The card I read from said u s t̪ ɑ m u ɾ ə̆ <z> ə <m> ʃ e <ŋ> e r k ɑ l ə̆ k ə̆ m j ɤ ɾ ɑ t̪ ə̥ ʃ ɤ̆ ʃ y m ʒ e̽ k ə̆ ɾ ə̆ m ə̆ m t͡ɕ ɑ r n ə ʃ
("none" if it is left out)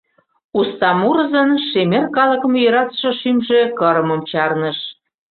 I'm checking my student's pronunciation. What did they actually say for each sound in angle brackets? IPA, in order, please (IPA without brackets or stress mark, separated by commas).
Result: z, n, m